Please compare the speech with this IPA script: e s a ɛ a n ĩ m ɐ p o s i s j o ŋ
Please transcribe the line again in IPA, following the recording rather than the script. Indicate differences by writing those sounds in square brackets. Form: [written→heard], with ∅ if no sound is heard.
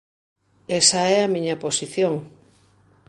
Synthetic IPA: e s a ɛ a [n→m] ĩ [m→ɲ] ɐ p o s i [s→θ] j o ŋ